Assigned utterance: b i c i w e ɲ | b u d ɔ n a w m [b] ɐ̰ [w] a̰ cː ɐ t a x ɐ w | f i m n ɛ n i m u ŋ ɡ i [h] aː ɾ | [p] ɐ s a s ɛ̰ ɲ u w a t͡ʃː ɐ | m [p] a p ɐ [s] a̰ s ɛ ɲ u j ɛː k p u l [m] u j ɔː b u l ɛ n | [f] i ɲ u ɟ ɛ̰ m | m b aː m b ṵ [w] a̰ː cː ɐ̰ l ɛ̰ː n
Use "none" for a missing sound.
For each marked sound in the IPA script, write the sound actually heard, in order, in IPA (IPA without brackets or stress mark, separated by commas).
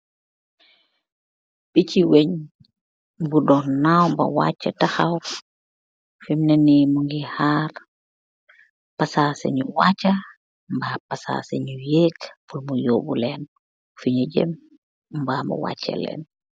b, w, h, p, b, s, m, f, w